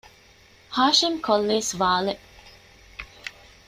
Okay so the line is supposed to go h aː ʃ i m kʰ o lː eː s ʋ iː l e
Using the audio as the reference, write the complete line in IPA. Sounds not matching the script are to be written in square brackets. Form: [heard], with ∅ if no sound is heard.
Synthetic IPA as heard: h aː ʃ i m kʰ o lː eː s ʋ [aː] l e